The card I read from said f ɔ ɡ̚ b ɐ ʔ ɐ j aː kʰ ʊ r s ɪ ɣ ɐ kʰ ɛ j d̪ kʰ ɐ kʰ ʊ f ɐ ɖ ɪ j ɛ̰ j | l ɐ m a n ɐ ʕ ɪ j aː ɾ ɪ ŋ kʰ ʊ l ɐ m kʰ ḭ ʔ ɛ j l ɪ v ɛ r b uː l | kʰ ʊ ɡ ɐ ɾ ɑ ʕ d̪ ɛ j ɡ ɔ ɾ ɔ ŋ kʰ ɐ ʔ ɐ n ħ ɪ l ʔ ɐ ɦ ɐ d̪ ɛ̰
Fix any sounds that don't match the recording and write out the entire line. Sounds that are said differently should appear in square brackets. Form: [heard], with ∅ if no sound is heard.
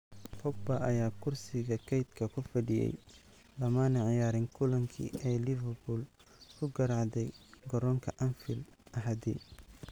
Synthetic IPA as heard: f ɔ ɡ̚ b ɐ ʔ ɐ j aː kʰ ʊ r s ɪ ɣ ɐ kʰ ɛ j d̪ kʰ ɐ kʰ ʊ f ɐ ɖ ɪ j ɛ̰ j | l ɐ m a n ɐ ʕ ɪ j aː ɾ ɪ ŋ kʰ ʊ l ɐ [ŋ] kʰ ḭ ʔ ɛ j l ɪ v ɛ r b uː l | kʰ ʊ ɡ ɐ ɾ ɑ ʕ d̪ ɛ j ɡ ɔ ɾ ɔ ŋ kʰ ɐ ʔ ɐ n [f] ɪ l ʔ ɐ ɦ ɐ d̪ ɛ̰